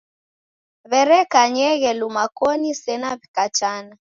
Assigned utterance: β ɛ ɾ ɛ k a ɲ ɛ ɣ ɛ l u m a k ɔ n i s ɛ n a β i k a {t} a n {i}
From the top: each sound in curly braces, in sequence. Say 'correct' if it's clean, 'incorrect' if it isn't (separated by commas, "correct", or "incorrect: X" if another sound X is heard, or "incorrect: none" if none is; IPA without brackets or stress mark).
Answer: incorrect: t͡ʃ, incorrect: a